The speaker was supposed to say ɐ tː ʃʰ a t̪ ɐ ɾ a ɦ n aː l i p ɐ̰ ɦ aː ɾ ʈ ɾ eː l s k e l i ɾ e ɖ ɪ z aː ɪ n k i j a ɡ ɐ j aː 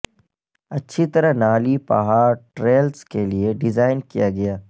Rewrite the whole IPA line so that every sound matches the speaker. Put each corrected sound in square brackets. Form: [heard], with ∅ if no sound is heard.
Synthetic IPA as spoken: ɐ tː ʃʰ [i] t̪ ɐ ɾ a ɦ n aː l i p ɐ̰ ɦ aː ɾ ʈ ɾ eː l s k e l i [∅] e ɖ ɪ z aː ɪ n k i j a ɡ ɐ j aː